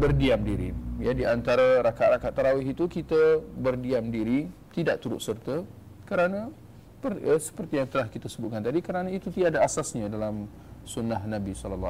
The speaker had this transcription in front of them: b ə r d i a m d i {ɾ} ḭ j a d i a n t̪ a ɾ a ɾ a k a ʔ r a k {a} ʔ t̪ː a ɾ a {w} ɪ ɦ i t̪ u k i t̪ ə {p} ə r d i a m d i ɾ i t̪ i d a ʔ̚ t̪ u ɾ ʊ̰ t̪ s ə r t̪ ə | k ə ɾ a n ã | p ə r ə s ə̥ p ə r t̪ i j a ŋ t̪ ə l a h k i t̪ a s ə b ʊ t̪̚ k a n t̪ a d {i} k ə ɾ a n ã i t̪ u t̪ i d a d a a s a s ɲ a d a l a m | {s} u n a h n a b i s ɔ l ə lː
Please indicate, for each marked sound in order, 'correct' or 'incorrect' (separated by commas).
correct, correct, correct, incorrect, correct, correct